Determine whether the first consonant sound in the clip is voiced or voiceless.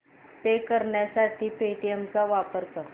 voiceless